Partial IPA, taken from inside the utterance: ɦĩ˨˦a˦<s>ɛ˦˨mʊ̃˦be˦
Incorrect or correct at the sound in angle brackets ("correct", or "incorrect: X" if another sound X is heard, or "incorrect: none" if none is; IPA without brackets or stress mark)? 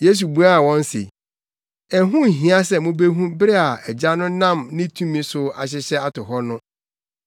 correct